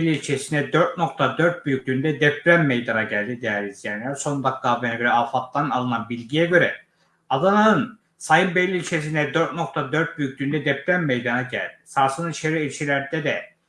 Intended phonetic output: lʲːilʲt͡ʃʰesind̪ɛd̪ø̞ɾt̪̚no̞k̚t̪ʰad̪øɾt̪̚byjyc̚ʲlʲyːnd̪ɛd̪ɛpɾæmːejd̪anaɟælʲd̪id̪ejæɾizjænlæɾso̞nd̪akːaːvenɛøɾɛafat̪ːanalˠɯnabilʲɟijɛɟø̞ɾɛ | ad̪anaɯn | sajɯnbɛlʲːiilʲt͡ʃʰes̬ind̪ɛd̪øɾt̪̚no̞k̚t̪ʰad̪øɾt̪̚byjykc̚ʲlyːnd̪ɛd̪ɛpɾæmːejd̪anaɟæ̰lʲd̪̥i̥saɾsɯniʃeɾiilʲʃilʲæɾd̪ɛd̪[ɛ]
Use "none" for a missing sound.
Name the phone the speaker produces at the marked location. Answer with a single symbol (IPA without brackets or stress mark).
ɛ